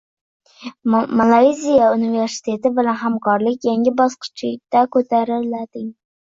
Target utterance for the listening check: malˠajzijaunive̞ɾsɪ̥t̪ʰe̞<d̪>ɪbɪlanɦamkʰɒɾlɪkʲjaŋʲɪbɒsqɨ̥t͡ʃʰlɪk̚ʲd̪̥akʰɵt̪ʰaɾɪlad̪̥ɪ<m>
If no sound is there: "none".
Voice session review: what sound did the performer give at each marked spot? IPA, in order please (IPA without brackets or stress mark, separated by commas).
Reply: t̪, ŋ